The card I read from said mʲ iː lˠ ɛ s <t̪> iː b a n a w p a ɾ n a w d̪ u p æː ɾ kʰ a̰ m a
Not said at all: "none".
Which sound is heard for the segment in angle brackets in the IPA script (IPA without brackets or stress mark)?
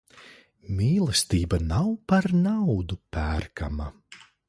t̪